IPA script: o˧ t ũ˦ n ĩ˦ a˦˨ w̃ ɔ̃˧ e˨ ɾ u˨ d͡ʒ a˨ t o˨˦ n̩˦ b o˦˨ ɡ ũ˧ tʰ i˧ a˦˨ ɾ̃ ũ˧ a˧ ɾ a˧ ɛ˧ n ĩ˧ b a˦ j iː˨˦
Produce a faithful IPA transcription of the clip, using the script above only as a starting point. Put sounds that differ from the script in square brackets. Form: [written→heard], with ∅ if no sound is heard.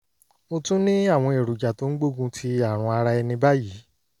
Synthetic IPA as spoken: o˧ t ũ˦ n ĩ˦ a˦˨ w̃ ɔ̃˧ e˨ ɾ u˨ d͡ʒ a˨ t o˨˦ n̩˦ [b→ɡ͡b] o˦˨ ɡ ũ˧ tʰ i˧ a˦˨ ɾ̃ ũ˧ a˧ ɾ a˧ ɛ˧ n ĩ˧ b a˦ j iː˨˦